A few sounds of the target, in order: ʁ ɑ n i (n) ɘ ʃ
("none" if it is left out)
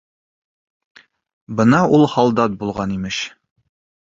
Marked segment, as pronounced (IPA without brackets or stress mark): m